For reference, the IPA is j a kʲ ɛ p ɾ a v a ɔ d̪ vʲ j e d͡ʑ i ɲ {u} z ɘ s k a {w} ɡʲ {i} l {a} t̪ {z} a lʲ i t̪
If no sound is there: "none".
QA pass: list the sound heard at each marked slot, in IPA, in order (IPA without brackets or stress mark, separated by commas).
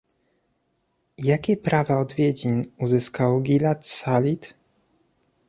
u, w, i, a, s